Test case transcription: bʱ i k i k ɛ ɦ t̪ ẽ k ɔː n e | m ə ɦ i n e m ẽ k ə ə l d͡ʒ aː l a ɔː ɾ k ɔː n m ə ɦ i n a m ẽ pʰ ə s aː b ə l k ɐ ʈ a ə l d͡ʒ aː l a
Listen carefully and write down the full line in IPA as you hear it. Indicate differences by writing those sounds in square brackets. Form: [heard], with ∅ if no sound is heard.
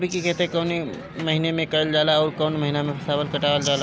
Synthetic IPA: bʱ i k i k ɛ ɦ t̪ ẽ k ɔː n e | m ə ɦ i n e m ẽ k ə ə l d͡ʒ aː l a ɔː ɾ k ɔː n m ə ɦ i n a m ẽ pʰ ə s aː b ə l k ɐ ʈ a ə l d͡ʒ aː l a